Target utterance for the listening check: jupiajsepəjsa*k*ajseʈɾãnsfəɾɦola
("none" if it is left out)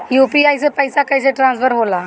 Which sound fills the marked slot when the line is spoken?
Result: k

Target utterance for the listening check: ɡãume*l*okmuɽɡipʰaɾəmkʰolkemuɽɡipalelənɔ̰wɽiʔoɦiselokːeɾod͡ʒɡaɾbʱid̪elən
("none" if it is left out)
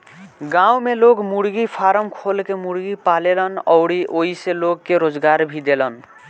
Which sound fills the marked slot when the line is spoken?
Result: l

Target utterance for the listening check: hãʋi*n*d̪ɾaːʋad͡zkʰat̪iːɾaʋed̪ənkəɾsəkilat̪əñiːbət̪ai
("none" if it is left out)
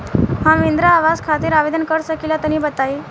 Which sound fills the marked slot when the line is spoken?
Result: n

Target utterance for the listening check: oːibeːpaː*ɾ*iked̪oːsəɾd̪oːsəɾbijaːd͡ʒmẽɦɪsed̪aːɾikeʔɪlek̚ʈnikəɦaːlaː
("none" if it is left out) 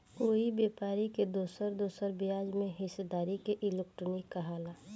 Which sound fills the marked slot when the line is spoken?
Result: ɾ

